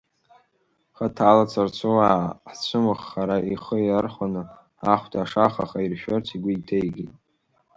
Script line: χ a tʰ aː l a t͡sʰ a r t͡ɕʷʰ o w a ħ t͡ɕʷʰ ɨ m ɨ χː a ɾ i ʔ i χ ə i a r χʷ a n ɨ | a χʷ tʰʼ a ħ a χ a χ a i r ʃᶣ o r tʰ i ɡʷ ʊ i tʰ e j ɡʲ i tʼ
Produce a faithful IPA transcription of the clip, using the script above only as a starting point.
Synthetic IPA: χ a tʰ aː l a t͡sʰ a r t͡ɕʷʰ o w a ħ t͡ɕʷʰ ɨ m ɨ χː a ɾ a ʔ i χ ə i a r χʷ a n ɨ | a χʷ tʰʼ a ʂ a χ a χ a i r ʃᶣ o r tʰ i ɡʷ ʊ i tʰ e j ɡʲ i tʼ